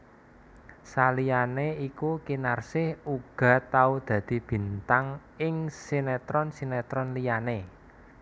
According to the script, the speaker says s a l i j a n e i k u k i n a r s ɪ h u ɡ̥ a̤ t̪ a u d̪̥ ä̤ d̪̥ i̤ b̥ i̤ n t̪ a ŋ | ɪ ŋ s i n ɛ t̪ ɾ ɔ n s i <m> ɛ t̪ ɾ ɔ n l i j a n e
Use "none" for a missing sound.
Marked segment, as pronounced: n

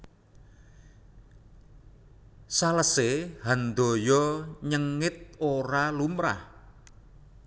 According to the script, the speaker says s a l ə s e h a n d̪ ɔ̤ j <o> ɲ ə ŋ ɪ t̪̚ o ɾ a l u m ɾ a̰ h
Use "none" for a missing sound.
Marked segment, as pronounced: ɔ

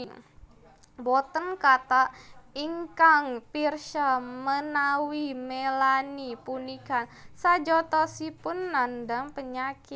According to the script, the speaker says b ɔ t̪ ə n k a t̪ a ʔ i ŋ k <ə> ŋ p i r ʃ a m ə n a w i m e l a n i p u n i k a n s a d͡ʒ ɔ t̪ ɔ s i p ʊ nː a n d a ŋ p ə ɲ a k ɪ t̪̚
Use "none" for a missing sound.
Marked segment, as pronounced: a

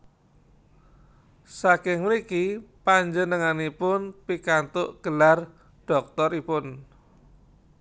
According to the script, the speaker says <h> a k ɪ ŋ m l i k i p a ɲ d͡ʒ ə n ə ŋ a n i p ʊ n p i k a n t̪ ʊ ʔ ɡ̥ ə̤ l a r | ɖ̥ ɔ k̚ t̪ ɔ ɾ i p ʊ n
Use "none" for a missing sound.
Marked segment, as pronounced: s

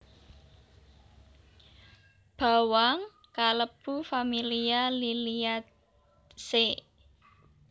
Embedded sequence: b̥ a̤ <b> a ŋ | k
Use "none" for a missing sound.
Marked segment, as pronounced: w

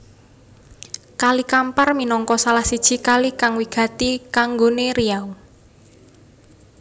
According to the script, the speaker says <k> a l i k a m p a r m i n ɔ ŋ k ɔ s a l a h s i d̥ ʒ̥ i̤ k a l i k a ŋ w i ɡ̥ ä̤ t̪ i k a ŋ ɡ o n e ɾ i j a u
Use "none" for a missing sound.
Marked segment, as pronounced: k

